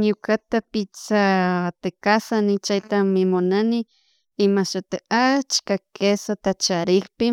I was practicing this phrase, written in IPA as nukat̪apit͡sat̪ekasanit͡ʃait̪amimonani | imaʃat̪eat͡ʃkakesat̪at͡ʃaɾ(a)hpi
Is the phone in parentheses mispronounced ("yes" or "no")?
yes